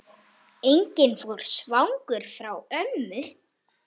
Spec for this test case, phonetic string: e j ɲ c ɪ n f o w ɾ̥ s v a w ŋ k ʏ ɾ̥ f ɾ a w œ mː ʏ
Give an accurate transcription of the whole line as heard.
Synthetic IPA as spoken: e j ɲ c ɪ n f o w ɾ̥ s v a w ŋ k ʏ ɾ̥ f ɾ a w œ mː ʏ